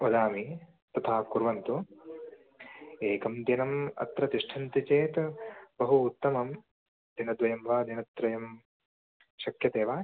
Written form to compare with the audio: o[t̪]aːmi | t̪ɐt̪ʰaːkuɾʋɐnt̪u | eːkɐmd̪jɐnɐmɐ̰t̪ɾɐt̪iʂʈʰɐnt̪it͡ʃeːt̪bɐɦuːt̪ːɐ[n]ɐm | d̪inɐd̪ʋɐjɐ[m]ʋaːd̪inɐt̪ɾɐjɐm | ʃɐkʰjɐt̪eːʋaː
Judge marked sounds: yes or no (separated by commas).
no, no, yes